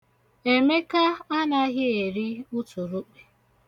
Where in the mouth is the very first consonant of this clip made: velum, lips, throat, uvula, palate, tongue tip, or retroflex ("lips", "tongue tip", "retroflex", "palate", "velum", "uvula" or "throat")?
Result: lips